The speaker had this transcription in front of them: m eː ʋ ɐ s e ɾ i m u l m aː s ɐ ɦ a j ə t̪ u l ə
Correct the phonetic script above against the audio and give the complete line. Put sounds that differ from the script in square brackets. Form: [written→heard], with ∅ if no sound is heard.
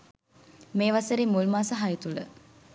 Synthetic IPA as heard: m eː ʋ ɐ s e ɾ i m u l m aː s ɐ ɦ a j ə t̪ u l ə